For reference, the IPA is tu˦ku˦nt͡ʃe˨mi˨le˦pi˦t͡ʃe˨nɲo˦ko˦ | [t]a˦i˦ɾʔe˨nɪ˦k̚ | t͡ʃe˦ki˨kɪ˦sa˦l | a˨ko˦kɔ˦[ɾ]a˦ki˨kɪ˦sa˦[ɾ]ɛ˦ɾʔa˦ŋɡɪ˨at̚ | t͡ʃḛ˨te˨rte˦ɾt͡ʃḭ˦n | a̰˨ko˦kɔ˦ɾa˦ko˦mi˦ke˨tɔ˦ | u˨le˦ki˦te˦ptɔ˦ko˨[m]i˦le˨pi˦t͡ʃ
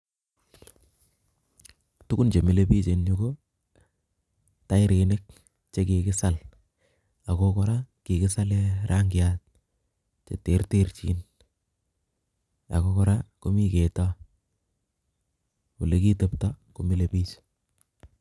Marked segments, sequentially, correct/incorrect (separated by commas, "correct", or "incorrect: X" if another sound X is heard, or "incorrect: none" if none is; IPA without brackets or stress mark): correct, correct, incorrect: l, correct